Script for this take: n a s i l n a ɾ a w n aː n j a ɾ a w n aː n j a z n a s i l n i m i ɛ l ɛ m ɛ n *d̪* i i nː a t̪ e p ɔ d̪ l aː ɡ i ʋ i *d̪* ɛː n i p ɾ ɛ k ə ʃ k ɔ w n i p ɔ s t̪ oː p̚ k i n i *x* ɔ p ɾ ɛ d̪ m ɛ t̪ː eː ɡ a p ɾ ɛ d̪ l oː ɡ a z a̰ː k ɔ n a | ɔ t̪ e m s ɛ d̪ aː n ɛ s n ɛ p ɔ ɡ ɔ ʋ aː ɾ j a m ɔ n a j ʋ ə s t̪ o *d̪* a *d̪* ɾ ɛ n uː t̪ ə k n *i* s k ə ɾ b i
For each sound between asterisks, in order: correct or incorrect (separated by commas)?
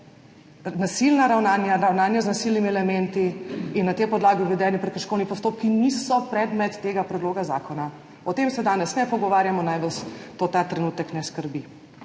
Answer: incorrect, correct, incorrect, incorrect, incorrect, incorrect